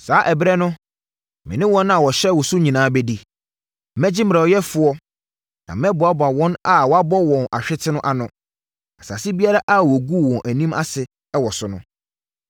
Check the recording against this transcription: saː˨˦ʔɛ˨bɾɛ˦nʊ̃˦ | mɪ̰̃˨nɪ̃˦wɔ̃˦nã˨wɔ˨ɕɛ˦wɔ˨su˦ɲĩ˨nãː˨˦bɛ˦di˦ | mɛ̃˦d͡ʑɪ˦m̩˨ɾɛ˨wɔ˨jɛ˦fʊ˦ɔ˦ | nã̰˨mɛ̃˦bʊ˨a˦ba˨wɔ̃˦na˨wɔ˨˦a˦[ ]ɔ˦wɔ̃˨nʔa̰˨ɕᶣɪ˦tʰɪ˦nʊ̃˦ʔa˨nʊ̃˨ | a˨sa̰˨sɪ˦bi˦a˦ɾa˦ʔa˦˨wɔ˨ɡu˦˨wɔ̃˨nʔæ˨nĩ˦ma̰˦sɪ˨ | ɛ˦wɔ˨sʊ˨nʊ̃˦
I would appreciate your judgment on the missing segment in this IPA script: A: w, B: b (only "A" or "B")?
B